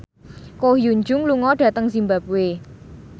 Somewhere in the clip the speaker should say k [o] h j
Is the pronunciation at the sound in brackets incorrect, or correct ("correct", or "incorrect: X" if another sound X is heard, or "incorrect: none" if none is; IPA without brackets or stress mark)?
correct